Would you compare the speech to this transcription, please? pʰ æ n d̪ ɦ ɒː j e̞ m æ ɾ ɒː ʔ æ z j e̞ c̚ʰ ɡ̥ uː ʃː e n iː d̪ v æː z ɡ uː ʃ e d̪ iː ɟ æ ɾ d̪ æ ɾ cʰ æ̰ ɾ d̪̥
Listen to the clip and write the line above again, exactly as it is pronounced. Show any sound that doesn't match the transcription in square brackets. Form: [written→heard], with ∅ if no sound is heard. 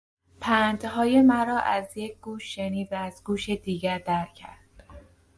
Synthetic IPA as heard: pʰ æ n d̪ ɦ ɒː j e̞ m æ ɾ ɒː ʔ æ z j e̞ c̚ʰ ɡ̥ uː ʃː e n iː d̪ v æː z ɡ uː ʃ e d̪ iː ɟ æ ɾ d̪ æ ɾ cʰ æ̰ ɾ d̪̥